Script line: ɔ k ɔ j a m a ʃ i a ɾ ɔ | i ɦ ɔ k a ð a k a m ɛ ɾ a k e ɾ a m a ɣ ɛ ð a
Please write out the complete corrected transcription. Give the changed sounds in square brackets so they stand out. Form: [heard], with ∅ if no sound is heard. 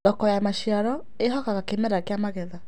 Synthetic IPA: ɔ k ɔ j a m a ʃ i a ɾ ɔ | [e] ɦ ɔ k a [ɣ] a k [e] m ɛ ɾ a k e [∅] a m a ɣ ɛ ð a